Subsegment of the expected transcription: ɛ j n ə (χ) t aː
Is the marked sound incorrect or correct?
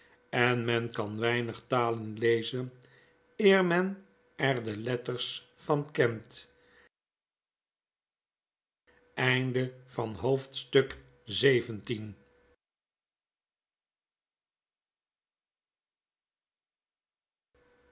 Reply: correct